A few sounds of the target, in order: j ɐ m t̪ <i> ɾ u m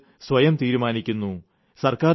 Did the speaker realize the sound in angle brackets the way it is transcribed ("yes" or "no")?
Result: no